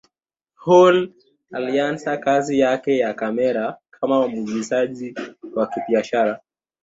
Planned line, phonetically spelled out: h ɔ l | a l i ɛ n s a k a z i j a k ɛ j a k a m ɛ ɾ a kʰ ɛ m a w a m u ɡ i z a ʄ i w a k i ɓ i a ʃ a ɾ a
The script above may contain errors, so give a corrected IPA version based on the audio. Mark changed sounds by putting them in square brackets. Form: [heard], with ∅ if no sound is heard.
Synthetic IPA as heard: h ɔ l | a l i [a] n s a k a z i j a k ɛ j a k a m ɛ ɾ a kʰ [a] m a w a m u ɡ i z a ʄ i w a k i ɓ i a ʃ a ɾ a